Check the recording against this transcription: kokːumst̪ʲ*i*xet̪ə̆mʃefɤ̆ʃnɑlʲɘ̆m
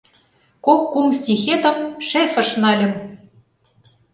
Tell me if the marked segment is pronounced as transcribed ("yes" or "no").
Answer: yes